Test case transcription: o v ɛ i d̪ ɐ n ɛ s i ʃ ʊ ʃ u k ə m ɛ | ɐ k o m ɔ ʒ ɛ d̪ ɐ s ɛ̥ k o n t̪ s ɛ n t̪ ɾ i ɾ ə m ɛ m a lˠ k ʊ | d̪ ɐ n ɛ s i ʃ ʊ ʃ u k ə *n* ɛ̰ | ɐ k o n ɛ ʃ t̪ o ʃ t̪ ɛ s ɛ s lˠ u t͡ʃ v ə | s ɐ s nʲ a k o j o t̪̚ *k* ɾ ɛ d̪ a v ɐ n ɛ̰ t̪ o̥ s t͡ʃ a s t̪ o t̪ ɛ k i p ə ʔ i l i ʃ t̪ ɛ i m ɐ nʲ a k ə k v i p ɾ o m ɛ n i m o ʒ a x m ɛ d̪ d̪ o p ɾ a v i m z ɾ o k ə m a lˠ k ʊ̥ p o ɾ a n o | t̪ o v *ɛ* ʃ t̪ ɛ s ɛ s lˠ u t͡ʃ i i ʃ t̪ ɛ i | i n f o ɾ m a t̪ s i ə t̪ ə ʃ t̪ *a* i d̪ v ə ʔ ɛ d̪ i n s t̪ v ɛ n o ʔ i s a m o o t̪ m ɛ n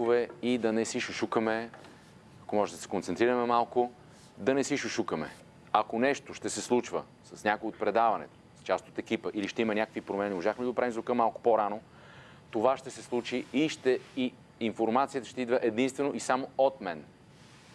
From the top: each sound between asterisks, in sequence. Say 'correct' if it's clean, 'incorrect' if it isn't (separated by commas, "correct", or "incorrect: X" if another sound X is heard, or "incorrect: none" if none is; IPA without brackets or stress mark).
incorrect: m, incorrect: p, incorrect: a, incorrect: ɛ